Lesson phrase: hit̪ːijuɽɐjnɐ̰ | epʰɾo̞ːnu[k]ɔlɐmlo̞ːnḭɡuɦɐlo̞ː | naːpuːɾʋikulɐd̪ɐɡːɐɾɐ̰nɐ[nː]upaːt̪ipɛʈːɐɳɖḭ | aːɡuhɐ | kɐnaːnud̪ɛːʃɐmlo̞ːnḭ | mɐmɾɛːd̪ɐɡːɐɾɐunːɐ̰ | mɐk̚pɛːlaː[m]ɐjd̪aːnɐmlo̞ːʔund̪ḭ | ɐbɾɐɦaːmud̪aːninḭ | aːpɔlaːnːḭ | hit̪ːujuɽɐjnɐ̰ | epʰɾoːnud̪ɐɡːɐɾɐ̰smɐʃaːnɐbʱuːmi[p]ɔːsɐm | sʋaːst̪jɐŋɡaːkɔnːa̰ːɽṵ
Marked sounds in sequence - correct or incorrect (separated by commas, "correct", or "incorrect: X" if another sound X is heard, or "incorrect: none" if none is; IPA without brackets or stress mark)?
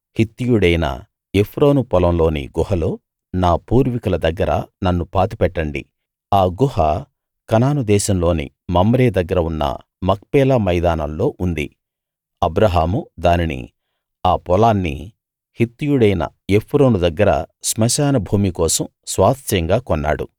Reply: incorrect: p, correct, correct, incorrect: k